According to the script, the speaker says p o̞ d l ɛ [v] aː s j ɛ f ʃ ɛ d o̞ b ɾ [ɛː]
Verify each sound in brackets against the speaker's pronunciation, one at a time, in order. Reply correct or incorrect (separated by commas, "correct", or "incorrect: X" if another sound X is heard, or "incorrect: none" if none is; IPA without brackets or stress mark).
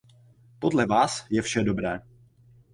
correct, correct